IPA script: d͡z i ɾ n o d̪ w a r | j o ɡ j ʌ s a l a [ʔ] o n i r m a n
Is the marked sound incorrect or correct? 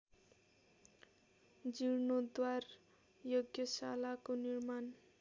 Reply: incorrect